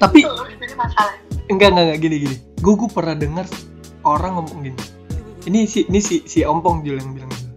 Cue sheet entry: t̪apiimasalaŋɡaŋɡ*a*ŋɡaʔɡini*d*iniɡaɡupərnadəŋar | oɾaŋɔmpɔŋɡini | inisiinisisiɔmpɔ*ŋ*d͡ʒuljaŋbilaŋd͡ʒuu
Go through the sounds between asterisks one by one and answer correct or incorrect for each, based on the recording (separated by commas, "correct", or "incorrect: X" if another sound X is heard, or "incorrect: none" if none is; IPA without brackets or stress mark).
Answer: correct, incorrect: ɡ, correct